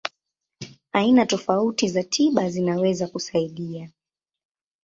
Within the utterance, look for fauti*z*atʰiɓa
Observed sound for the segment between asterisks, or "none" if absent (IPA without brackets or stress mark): z